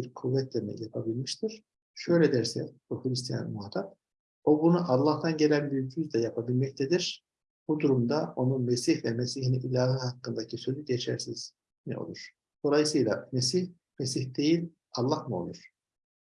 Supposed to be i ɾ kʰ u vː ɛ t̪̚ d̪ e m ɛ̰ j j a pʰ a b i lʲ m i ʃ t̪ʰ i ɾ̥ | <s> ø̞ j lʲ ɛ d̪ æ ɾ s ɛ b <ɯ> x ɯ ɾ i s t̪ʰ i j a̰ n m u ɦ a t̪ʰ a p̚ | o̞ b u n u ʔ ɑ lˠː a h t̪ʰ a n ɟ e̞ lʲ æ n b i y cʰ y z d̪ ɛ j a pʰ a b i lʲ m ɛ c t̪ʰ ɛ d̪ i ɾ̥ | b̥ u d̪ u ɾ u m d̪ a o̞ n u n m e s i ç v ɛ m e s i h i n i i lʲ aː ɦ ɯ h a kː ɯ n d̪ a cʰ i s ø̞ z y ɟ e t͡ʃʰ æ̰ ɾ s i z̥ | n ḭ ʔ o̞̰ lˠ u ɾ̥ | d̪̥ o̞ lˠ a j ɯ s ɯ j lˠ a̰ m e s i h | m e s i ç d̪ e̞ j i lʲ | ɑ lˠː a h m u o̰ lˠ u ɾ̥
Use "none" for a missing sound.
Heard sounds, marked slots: ʃ, u

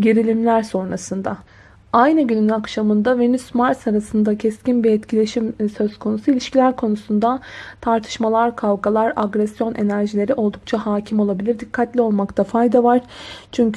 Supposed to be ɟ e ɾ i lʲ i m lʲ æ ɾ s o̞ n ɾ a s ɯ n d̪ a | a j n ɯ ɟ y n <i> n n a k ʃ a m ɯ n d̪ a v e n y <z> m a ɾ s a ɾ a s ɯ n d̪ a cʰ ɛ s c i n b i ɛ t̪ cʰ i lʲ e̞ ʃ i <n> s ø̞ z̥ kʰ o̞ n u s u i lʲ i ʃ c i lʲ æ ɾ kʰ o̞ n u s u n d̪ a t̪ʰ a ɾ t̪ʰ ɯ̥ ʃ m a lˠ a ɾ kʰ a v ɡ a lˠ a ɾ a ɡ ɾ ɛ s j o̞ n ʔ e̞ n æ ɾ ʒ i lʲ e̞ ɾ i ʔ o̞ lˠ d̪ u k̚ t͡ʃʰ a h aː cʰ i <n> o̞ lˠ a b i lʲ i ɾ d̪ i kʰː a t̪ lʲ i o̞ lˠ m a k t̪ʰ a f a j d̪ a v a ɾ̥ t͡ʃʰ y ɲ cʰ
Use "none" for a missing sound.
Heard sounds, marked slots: y, s, m, m

